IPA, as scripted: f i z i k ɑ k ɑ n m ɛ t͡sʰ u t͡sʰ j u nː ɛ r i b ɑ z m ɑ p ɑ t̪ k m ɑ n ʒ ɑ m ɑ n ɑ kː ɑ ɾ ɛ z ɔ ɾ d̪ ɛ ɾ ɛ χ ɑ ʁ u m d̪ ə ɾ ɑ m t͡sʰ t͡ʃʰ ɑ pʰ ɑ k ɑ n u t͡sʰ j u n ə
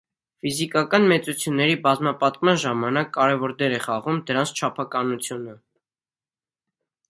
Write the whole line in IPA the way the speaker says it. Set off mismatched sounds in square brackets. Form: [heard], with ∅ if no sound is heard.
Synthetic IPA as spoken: f i z i k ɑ k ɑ n m ɛ [t͡s] u t͡sʰ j u nː ɛ [ɾ] i b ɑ z m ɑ p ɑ t̪ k m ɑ n ʒ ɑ m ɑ n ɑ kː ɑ ɾ ɛ [v] ɔ ɾ d̪ ɛ ɾ ɛ χ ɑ ʁ u m d̪ ə ɾ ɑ [n] t͡sʰ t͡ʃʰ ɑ pʰ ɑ k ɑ n u t͡sʰ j u n ə